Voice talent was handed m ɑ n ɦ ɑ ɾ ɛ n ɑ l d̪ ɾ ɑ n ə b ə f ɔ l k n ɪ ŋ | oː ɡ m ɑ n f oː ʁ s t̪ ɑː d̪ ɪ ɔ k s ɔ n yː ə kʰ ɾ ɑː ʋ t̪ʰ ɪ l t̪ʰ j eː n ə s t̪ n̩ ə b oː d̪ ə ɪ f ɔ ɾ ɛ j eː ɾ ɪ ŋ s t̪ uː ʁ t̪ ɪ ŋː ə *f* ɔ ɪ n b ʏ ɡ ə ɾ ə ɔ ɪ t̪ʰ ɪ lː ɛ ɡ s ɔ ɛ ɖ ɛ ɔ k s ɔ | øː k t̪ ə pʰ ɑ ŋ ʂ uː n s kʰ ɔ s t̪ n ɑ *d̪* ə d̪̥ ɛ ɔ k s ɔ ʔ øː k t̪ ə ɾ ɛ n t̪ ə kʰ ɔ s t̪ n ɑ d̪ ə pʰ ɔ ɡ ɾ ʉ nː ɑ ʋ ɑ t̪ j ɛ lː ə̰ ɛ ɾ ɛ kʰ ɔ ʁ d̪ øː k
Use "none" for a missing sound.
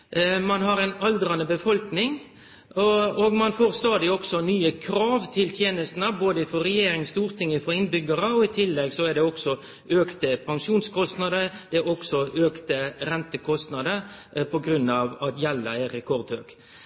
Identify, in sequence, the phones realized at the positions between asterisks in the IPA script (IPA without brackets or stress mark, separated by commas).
f, d̪